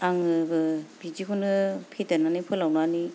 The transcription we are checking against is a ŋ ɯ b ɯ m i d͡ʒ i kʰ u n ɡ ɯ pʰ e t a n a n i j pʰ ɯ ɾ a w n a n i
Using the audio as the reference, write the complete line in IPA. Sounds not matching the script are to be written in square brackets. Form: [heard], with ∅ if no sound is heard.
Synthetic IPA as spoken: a ŋ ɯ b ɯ [b] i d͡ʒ i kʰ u n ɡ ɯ pʰ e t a n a n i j pʰ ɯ [l] a w n a n i